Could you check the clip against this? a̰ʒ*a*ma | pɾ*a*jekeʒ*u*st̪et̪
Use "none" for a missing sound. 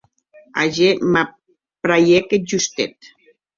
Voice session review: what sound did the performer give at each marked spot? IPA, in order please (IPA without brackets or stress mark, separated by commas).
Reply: e, a, u